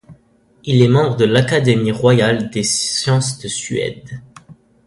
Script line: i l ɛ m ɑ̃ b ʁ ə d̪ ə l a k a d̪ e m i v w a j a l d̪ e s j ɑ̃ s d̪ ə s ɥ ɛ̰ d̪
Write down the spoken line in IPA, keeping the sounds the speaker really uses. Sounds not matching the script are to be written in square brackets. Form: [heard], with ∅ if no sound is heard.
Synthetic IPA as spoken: i l ɛ m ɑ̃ b ʁ ə d̪ ə l a k a d̪ e m i [ʁ] w a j a l d̪ e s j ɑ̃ s d̪ ə s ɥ ɛ̰ d̪